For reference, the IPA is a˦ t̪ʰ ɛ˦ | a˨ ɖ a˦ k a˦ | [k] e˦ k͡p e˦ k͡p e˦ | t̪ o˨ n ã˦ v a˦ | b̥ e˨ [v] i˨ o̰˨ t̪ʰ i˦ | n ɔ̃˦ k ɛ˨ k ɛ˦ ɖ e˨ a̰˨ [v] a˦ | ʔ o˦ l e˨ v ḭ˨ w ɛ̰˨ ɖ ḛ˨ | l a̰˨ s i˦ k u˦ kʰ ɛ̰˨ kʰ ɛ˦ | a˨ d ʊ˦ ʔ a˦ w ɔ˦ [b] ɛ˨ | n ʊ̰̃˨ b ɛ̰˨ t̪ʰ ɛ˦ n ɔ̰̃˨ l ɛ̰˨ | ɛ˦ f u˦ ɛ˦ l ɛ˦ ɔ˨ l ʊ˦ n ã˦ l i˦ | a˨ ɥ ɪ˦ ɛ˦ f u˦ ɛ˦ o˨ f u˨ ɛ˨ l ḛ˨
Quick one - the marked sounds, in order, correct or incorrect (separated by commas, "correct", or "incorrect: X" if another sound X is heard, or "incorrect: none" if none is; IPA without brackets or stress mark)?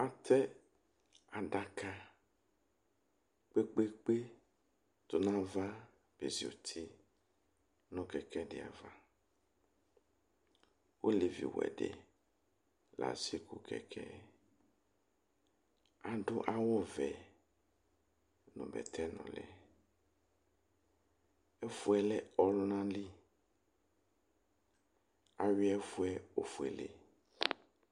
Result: incorrect: k͡p, incorrect: z, correct, incorrect: v